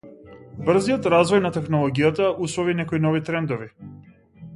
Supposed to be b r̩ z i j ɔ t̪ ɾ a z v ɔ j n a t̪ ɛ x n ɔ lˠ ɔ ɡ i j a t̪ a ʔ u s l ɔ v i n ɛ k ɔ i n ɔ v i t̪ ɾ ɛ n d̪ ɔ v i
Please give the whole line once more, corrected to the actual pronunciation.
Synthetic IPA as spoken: b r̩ z i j ɔ t̪ ɾ a z v ɔ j n a t̪ ɛ x n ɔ lˠ ɔ ɡ i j a t̪ a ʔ u s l ɔ v i n ɛ k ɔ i n ɔ v i t̪ ɾ ɛ n d̪ ɔ v i